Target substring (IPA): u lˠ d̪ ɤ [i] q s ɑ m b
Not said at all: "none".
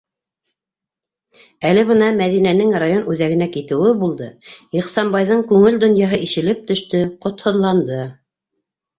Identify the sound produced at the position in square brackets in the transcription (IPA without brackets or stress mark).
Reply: i